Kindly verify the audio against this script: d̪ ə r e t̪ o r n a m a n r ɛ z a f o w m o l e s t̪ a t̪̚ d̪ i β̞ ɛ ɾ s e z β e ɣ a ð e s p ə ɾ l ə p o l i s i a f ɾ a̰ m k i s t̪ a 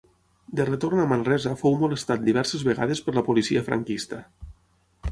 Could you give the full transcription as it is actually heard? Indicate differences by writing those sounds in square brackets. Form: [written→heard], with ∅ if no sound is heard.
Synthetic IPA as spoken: d̪ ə r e t̪ o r n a m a n r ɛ z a f o w m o l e s t̪ a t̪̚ d̪ i β̞ ɛ ɾ s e z β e ɣ a ð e s p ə ɾ l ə p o l i s i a f ɾ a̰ [m→ŋ] k i s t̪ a

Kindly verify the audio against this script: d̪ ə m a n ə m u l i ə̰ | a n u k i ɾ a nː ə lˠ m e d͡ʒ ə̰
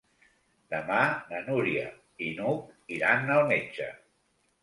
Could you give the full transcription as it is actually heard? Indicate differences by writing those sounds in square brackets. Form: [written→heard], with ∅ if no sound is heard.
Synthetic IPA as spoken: d̪ ə m a n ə [m→n] u [l→ɾ] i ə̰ | [a→i] n u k i ɾ a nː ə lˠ m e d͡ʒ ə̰

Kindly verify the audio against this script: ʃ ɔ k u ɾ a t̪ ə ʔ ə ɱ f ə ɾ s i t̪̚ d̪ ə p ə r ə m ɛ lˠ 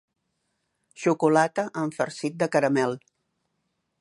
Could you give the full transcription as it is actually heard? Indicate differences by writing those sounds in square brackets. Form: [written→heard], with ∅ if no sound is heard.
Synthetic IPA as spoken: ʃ [ɔ→u] k u [ɾ→l] a t̪ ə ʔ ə ɱ f ə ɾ s i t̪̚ d̪ ə [p→k] ə [r→ɾ] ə m ɛ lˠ

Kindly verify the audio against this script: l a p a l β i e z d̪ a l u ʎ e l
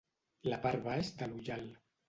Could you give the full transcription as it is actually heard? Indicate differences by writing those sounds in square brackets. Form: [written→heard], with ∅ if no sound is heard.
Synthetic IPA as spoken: l a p a [l→ɾ] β [i→a] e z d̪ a l u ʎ [e→a] l

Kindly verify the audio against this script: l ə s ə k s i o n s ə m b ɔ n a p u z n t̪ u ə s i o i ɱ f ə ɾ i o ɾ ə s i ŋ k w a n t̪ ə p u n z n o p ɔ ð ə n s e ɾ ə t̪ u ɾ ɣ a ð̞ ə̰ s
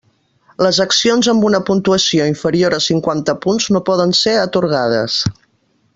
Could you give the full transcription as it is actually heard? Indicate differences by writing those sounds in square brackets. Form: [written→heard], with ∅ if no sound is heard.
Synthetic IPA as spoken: l ə [s→z] ə k s i o n [s→z] ə m b [ɔ→u] n [a→ə] p u [z→∅] n t̪ u ə s i o i ɱ f ə ɾ i o ɾ ə s i ŋ k w a n t̪ ə p u n z n o p ɔ ð ə n s e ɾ ə t̪ u ɾ ɣ a ð̞ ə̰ s

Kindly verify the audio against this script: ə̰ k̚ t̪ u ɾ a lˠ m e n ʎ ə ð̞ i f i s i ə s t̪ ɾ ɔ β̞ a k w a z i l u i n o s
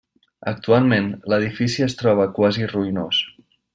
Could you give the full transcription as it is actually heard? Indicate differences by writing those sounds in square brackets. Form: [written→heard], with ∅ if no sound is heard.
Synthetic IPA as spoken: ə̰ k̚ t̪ u [ɾ→∅] a lˠ m e n [ʎ→l] ə ð̞ i f i s i ə s t̪ ɾ ɔ β̞ [a→ə] k w a z i [l→r] u i n o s

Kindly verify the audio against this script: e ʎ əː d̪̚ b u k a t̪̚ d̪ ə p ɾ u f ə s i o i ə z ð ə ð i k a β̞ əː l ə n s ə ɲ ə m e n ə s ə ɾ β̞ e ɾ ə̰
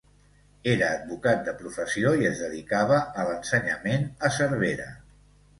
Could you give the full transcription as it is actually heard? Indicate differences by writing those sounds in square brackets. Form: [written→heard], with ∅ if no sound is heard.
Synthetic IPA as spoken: e [ʎ→ɾ] əː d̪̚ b u k a t̪̚ d̪ ə p ɾ u f ə s i o i ə z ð ə ð i k a β̞ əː l ə n s ə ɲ ə m e n ə s ə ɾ β̞ e ɾ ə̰

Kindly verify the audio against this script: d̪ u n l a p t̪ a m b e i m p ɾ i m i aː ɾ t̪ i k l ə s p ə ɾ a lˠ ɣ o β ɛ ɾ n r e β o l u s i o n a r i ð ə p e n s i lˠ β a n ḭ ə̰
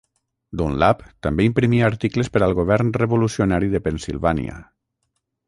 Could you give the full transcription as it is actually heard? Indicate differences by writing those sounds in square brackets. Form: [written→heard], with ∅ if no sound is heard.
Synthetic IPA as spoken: d̪ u n l a p t̪ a m b e i m p ɾ i m i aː ɾ t̪ i k l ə s p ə ɾ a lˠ ɣ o β ɛ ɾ n r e β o l u s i o n a [r→ɾ] i ð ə p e n s i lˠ β a n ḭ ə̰

